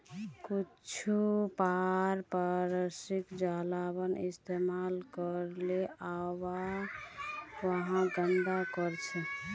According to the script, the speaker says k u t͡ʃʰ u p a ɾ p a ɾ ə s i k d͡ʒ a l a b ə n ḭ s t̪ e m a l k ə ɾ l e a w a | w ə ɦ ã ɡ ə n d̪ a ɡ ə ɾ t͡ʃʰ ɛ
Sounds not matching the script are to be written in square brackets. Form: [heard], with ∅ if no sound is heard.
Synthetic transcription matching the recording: k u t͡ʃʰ u p a ɾ p a ɾ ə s i k d͡ʒ a l a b ə n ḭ s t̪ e m a l k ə ɾ l e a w a | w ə ɦ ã ɡ ə n d̪ a [k] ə ɾ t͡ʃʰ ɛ